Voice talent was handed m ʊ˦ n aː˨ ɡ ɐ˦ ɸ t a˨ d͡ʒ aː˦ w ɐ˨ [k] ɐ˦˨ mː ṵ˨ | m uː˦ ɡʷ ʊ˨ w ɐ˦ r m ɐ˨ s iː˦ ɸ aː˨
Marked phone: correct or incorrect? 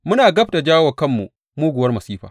correct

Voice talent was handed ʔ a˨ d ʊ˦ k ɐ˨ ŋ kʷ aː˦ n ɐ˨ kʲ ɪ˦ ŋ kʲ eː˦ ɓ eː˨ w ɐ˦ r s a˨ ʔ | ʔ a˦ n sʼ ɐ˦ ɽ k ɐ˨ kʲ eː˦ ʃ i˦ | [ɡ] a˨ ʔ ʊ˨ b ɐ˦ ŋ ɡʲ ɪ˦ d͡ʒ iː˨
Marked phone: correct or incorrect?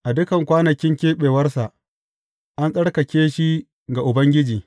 correct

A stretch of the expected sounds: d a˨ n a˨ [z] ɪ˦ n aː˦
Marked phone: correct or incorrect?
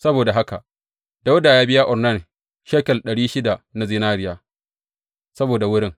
correct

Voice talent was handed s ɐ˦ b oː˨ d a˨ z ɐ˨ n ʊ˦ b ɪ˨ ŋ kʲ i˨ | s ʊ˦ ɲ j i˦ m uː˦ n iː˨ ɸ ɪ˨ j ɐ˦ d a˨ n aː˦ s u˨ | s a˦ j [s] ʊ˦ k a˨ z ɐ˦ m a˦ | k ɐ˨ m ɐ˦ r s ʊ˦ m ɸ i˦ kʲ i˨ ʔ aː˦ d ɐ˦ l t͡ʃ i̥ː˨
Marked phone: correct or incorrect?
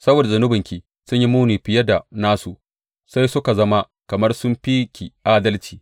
correct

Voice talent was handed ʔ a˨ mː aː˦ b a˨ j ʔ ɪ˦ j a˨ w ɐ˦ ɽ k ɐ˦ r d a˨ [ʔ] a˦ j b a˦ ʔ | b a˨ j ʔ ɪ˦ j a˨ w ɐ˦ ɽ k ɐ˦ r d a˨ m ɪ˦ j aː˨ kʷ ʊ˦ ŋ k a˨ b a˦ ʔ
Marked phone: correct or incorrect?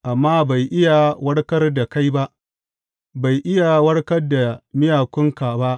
incorrect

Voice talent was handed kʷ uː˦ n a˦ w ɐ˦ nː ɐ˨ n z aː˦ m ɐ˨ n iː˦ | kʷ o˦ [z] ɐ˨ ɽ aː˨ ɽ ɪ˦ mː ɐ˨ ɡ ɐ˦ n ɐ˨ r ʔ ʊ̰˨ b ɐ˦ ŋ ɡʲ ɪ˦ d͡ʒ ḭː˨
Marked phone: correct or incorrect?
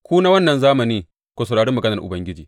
incorrect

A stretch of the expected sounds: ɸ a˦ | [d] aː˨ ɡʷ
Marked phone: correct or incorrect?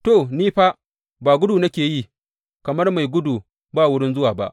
incorrect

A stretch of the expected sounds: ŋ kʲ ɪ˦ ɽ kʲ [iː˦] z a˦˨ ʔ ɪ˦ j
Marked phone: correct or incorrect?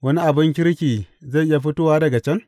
incorrect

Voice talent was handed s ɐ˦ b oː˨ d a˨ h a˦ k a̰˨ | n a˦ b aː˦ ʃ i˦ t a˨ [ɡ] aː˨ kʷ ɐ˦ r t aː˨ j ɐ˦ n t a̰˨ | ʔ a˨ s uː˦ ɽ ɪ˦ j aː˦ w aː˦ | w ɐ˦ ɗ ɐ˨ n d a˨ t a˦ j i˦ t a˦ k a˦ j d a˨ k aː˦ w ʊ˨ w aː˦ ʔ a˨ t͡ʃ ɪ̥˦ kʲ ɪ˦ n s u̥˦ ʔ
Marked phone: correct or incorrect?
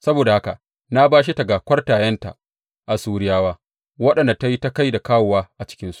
correct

